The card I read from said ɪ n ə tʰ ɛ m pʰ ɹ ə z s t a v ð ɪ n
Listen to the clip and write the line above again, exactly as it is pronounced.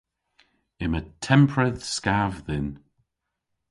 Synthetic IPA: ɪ m ə tʰ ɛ m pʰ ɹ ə ð s k a v ð ɪ n